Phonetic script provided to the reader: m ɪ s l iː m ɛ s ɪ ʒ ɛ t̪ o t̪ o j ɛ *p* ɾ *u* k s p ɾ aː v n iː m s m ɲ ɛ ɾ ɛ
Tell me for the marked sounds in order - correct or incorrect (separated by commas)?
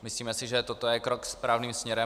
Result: incorrect, incorrect